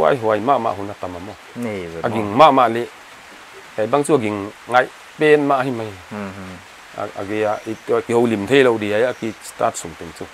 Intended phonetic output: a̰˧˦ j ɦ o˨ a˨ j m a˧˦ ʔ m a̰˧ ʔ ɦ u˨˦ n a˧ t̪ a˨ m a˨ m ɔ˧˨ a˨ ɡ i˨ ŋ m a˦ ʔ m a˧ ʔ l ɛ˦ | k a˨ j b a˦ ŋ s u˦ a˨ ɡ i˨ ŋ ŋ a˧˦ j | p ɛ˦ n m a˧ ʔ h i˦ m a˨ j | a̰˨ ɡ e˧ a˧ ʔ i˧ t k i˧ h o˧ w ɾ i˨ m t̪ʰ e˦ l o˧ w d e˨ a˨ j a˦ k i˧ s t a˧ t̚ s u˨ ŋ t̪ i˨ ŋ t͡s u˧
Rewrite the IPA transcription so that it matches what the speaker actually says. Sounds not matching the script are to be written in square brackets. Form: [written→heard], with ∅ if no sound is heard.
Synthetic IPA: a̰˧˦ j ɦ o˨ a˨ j m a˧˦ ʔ m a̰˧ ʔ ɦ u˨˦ n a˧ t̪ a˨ m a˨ m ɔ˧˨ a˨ ɡ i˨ ŋ m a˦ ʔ m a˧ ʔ l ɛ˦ | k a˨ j b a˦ ŋ [s→t͡s] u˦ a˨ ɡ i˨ ŋ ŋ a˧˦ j | p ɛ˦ n m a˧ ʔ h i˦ m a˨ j | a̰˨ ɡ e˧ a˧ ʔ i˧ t k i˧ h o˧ w [ɾ→l] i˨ m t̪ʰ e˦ l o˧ w d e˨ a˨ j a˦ k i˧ s t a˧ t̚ s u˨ ŋ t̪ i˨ ŋ t͡s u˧